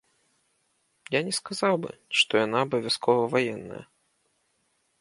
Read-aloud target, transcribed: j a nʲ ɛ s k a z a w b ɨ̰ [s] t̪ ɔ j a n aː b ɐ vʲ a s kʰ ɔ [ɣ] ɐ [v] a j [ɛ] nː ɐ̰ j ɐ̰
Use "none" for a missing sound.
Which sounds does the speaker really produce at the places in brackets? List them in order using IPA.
ʂ, v, v, ɛ

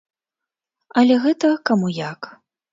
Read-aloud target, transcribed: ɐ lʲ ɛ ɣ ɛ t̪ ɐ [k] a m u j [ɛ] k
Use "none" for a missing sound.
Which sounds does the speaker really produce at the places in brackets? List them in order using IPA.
k, a

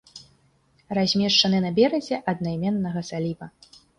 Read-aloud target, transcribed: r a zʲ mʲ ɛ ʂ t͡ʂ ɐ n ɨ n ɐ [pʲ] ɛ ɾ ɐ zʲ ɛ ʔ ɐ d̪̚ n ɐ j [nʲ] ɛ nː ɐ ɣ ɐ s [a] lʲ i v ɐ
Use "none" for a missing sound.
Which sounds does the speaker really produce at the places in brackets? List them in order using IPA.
bʲ, mʲ, a

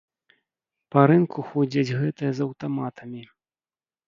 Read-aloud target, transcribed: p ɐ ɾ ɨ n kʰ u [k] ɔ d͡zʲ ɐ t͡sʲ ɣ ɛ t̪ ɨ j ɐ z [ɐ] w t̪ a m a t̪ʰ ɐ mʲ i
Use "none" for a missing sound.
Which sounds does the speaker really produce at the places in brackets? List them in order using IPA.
x, ɐ

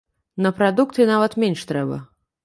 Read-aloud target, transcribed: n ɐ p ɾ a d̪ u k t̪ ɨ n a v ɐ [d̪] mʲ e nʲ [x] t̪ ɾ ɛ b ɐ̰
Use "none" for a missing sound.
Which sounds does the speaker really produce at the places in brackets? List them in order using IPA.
t̪, ʂ

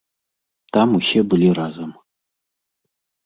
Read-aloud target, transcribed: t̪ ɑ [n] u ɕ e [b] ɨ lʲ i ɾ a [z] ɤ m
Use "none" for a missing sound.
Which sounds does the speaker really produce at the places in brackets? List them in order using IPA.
m, b, z

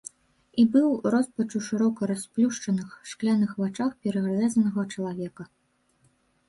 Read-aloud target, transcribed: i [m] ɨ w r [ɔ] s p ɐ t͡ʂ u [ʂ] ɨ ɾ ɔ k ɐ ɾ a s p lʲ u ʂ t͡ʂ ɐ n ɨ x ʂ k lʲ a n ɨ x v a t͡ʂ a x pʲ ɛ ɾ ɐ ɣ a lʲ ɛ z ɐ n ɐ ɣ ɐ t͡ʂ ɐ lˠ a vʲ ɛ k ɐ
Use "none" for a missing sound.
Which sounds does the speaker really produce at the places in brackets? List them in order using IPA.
b, ɔ, ʂ

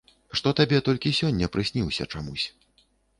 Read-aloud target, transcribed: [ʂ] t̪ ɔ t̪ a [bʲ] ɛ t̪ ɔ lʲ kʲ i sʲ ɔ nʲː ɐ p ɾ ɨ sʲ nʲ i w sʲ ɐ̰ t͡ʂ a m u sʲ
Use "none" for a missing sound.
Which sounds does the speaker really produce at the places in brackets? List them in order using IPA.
ʂ, bʲ

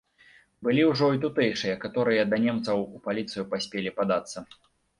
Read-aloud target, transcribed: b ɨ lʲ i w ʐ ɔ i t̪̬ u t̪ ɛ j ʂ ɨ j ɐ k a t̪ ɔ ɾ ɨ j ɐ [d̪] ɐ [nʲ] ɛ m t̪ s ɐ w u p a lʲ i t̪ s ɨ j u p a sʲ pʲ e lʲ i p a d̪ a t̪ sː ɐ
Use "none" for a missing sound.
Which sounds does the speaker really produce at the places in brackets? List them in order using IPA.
d̪, nʲ

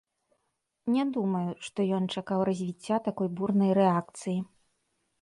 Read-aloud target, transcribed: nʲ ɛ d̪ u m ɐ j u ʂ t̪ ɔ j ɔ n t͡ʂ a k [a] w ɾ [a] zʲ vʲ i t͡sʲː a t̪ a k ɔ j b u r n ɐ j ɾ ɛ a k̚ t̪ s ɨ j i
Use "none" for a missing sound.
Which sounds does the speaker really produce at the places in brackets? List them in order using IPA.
a, ɐ

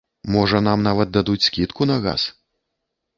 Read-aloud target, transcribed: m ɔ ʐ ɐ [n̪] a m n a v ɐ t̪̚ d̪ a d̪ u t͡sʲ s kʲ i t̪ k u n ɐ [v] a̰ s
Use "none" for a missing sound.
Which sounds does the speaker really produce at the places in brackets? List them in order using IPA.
n̪, ɣ

